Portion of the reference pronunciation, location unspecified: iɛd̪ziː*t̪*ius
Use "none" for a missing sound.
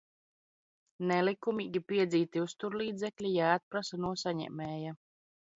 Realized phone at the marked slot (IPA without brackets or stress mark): t̪